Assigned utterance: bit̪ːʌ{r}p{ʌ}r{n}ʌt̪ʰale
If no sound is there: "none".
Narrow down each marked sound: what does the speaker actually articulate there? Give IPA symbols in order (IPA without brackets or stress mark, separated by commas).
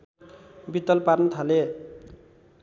l, a, n